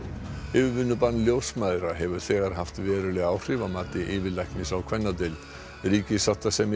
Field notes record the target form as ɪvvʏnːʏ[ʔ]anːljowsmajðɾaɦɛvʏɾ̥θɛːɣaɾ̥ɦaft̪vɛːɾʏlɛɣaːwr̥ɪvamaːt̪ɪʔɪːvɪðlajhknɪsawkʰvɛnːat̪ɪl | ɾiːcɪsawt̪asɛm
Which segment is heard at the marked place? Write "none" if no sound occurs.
p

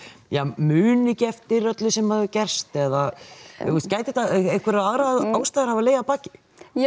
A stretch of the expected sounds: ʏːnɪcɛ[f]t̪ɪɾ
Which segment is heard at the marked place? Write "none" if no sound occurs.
f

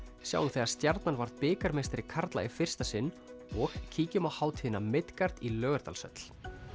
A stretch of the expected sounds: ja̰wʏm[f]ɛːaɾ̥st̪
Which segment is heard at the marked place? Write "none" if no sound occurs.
θ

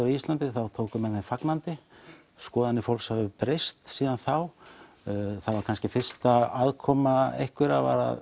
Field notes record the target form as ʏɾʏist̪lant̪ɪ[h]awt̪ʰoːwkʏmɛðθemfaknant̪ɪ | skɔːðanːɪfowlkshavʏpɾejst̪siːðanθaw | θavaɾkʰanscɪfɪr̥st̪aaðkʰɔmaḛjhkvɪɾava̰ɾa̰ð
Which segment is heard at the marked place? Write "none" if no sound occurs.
θ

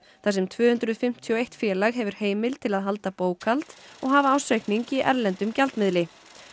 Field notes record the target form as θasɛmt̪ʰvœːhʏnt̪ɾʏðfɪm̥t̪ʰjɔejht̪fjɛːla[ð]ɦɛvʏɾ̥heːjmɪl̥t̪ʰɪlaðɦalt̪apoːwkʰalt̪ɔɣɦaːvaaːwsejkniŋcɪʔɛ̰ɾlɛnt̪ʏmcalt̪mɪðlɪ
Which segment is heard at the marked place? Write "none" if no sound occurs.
ɣ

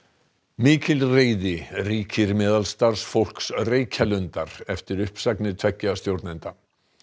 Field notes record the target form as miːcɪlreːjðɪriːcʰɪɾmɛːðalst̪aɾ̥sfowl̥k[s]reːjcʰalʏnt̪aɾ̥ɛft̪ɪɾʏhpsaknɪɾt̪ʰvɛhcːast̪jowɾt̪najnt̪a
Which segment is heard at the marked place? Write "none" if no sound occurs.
s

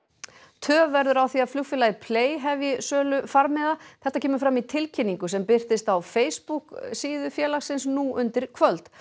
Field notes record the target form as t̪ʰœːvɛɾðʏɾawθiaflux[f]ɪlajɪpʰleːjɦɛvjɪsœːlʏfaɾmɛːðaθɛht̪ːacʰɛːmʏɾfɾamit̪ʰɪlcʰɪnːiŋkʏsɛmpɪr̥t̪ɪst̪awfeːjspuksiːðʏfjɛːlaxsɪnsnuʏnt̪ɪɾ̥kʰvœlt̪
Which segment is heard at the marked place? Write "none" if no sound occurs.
f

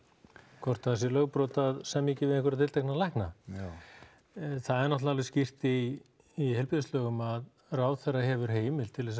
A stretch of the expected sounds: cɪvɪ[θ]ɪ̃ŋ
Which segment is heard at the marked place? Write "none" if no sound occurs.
ð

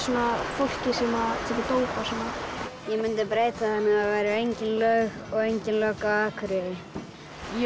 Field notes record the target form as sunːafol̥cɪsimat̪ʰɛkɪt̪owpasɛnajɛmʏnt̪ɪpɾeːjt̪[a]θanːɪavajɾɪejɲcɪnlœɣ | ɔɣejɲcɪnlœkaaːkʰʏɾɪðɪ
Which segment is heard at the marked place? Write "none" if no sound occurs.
a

